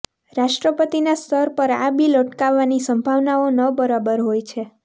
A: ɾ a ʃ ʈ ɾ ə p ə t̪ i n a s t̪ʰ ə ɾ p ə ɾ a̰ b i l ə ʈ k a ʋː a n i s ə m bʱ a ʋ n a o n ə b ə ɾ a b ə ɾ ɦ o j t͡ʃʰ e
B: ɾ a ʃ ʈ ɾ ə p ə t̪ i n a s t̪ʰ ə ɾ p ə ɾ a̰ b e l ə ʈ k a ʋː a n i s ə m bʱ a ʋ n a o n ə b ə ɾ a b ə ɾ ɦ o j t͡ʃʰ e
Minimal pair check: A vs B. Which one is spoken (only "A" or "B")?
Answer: A